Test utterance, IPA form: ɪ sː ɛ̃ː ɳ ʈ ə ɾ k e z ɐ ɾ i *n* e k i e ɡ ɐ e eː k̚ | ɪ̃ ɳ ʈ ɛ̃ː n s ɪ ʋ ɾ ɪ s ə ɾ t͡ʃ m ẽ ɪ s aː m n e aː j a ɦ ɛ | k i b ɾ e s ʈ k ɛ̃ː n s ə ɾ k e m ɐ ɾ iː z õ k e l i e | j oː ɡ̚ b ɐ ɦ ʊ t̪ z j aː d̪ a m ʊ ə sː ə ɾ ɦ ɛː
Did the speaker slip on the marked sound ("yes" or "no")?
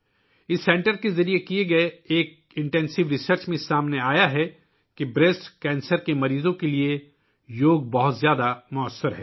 yes